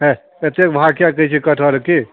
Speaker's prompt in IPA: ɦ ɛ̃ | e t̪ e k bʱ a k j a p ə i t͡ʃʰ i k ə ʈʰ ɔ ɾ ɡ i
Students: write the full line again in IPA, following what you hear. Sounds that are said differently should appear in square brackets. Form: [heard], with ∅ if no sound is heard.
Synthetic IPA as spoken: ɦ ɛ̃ | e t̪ e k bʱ a k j a [k] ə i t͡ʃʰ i k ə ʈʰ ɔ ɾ [k] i